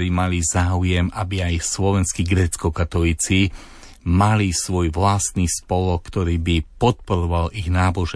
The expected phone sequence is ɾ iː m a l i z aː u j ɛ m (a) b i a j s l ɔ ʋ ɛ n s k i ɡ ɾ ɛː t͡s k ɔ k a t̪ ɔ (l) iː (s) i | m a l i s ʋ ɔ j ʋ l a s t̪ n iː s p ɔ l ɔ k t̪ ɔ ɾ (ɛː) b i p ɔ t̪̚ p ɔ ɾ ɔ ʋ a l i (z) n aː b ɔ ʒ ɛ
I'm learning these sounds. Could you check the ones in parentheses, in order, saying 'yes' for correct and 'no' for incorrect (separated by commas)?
yes, yes, no, no, no